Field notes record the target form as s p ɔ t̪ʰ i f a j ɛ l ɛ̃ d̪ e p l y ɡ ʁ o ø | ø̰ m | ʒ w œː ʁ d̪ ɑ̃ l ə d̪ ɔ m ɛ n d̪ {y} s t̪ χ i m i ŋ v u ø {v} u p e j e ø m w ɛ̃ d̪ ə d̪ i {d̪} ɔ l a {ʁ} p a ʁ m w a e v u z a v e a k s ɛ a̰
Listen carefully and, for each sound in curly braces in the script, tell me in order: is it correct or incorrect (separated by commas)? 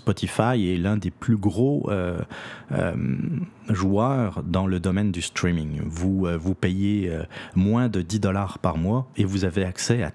correct, correct, correct, correct